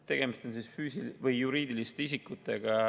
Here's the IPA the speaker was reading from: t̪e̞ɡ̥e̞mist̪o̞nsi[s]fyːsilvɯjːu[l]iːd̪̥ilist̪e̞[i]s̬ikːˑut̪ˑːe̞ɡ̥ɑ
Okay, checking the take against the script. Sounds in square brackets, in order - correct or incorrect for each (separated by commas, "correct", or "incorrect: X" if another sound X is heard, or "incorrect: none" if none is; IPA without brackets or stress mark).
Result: correct, incorrect: ɾ, correct